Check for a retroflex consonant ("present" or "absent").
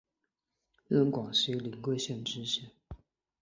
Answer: present